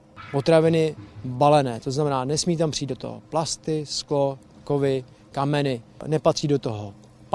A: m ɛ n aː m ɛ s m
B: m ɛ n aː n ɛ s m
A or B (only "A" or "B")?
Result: B